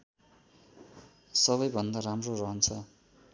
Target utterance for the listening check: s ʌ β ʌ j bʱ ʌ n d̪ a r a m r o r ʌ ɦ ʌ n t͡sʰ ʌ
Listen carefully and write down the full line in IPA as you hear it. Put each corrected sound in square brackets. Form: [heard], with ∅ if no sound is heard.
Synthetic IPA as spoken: s ʌ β ʌ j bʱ ʌ n d̪ a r a m r o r ʌ ɦ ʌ n t͡sʰ ʌ